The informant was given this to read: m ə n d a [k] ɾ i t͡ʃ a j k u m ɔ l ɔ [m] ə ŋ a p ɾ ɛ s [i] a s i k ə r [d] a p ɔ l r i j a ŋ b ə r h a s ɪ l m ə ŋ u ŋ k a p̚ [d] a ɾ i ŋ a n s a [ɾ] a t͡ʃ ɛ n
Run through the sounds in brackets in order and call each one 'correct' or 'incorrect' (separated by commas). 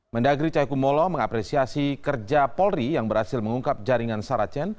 incorrect, correct, correct, incorrect, incorrect, correct